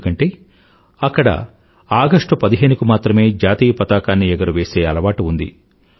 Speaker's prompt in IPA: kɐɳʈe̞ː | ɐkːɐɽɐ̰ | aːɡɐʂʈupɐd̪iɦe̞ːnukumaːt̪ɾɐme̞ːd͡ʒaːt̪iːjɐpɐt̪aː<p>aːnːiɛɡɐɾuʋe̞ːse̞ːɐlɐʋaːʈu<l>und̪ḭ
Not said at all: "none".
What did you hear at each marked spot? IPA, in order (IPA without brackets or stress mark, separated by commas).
k, none